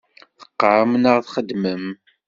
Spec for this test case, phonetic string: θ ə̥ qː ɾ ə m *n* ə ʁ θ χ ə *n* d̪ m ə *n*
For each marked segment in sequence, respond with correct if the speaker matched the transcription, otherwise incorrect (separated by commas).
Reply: correct, incorrect, incorrect